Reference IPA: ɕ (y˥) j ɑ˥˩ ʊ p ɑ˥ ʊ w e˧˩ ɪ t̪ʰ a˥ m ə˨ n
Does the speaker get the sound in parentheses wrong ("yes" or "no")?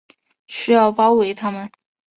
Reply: no